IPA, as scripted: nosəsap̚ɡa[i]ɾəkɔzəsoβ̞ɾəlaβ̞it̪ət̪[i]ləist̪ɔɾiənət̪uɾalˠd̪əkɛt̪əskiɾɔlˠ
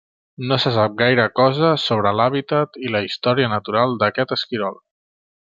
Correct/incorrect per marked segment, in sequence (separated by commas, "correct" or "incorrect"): incorrect, correct